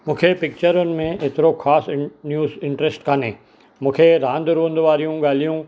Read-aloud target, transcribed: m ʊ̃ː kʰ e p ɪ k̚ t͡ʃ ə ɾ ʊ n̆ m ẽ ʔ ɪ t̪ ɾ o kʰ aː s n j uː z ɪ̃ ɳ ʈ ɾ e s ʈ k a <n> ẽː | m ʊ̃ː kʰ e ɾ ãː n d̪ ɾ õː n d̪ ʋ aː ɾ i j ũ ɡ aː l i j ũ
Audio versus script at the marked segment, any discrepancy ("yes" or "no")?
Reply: no